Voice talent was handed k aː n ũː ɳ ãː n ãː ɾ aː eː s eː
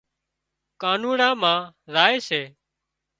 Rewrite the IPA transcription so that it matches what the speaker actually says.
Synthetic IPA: k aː n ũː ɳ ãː m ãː ɾ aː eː s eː